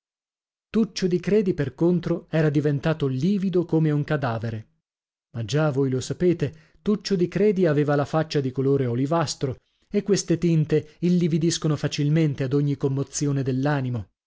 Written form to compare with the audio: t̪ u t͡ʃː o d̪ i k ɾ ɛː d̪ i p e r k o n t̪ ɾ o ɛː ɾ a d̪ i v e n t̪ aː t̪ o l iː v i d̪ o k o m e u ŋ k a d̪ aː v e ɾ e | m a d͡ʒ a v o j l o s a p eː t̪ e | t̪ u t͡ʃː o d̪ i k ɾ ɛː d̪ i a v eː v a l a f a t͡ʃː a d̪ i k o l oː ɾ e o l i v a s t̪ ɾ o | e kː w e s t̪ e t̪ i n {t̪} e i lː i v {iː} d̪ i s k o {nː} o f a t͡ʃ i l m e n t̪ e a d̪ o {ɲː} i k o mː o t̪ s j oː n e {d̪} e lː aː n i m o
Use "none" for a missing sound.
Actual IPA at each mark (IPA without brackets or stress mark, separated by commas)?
t̪, i, n, ɲː, d̪